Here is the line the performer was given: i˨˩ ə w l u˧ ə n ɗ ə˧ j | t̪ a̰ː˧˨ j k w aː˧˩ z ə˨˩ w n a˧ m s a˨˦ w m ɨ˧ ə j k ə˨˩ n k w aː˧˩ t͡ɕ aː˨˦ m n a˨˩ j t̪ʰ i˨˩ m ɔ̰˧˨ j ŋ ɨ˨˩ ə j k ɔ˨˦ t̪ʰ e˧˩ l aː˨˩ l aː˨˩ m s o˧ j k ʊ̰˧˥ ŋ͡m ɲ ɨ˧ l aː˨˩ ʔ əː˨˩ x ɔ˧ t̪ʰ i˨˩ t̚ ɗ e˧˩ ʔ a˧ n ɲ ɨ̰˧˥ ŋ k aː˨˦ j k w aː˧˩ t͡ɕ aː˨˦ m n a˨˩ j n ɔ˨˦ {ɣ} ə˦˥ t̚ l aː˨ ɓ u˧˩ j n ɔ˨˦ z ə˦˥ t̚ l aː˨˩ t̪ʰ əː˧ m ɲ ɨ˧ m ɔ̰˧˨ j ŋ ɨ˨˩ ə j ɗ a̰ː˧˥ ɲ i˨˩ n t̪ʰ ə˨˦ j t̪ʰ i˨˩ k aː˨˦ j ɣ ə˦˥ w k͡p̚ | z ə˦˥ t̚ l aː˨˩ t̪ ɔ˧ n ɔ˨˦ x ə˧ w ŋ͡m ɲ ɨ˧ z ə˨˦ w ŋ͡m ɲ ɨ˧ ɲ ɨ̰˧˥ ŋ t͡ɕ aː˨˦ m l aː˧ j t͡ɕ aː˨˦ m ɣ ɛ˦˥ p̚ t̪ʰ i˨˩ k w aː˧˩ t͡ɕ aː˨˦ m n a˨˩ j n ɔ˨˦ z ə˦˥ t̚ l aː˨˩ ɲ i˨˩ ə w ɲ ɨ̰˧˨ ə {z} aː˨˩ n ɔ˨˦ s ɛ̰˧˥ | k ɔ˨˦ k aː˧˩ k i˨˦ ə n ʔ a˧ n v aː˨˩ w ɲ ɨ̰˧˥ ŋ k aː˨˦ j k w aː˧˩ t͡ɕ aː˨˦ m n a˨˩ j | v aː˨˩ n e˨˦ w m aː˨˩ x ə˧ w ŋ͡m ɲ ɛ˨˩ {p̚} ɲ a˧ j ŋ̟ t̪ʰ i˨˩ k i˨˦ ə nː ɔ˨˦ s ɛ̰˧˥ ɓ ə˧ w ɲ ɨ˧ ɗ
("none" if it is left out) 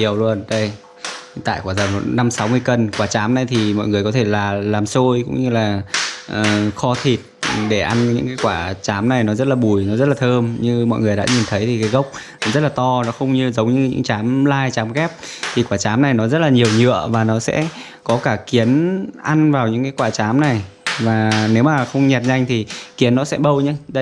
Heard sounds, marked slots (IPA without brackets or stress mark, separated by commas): z, v, t̚